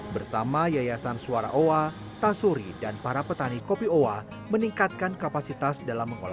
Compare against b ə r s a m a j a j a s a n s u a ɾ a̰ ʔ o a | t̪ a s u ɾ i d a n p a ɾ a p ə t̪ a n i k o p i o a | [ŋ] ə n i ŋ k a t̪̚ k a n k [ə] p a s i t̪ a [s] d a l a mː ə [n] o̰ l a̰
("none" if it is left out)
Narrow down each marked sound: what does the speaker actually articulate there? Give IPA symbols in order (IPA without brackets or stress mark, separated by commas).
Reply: m, a, s, ŋ